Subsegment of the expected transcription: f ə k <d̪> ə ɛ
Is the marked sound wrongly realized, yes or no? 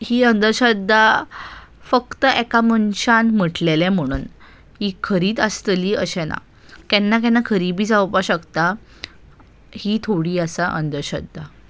yes